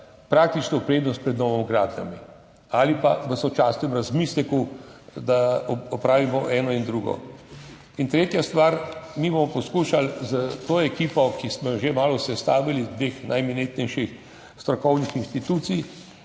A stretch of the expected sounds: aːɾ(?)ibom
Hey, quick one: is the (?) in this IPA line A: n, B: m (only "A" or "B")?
B